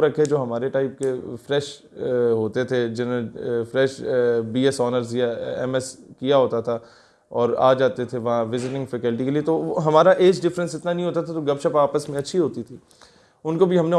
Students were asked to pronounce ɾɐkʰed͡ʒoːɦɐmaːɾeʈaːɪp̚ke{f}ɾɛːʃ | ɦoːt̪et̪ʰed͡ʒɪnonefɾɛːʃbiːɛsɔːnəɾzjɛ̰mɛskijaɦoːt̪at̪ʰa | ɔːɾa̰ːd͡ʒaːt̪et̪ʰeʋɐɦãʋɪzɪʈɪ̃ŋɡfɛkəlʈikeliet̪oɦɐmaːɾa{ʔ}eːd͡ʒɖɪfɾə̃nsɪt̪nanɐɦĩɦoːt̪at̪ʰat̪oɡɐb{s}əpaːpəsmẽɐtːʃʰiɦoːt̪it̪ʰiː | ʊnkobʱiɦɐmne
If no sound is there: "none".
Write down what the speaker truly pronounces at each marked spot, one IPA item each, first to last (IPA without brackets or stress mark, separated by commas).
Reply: f, ʔ, ʃ